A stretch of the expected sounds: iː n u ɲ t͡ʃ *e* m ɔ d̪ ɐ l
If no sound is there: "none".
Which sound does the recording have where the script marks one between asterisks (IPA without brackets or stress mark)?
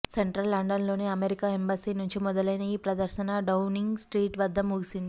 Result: i